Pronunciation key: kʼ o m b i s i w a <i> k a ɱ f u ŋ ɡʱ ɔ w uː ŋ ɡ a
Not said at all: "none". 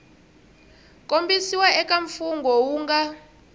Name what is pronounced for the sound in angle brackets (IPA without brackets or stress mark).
ɛ